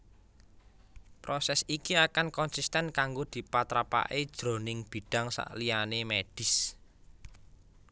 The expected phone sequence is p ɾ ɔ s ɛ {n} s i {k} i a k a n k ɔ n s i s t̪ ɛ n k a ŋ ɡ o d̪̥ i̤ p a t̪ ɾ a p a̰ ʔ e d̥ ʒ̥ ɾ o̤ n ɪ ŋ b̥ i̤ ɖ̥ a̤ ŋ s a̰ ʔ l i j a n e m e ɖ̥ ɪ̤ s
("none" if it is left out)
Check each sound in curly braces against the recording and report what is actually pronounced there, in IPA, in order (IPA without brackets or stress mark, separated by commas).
none, k